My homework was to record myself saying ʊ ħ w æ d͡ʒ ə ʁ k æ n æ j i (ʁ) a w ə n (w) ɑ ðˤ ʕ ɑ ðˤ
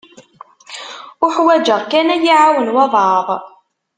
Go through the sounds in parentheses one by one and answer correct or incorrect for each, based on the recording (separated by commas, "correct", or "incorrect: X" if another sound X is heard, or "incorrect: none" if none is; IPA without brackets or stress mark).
incorrect: ʕ, correct